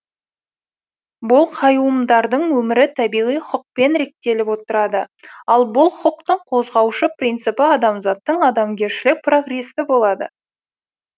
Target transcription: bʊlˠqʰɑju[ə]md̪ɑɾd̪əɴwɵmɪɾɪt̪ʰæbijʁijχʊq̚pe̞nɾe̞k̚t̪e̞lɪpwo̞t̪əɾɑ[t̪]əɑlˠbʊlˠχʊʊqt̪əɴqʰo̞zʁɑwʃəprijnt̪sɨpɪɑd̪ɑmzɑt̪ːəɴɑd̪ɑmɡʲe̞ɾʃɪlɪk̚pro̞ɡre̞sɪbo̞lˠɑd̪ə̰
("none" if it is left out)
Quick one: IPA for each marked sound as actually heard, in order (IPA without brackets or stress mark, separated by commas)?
ə, d̪